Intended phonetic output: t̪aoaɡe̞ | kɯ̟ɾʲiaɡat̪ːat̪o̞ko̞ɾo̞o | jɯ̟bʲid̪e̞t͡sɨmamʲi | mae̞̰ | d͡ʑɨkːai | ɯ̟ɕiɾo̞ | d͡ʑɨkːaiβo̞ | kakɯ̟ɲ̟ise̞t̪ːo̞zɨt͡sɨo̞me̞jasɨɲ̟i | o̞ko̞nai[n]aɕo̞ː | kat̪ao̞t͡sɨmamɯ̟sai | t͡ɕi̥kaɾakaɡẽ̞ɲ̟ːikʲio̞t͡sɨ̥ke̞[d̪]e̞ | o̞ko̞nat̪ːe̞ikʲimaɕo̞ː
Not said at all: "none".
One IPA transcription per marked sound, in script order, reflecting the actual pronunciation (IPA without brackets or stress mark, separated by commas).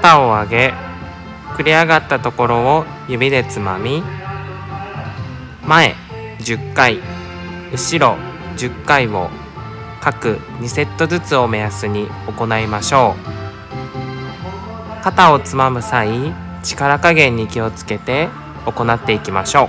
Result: m, t̪